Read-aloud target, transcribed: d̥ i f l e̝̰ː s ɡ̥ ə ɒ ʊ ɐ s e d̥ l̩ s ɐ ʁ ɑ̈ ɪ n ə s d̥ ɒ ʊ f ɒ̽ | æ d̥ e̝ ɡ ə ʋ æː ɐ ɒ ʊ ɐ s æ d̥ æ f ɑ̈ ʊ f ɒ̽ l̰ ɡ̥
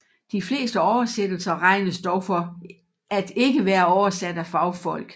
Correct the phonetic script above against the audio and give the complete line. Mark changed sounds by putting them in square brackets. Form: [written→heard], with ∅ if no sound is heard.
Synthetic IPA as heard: d̥ i f l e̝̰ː s [ɡ̥→d̥] ə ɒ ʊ ɐ s e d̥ l̩ s ɐ ʁ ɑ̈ ɪ n ə s d̥ ɒ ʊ f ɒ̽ | æ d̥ e̝ ɡ ə ʋ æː ɐ ɒ ʊ ɐ s æ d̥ æ f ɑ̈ ʊ f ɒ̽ l̰ ɡ̥